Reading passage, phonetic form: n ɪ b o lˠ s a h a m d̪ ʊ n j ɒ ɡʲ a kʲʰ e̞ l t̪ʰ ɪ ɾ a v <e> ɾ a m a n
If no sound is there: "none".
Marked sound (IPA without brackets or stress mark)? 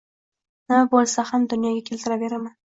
e